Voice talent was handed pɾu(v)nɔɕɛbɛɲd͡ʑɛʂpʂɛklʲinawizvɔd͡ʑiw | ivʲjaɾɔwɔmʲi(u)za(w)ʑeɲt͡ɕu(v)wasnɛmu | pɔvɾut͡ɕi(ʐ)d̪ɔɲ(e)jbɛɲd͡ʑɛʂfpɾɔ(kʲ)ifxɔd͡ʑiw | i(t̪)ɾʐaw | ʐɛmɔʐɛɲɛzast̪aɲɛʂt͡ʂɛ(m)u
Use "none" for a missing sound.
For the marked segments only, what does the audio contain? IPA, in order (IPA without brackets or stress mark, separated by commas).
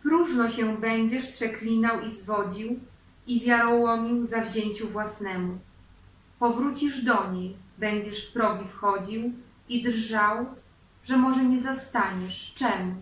ʐ, w, v, v, ʐ, e, ɡʲ, d̪, m